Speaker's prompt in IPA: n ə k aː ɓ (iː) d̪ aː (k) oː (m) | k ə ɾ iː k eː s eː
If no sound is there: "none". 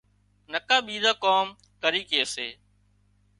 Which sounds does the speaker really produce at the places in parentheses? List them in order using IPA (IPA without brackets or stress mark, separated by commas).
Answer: iː, k, m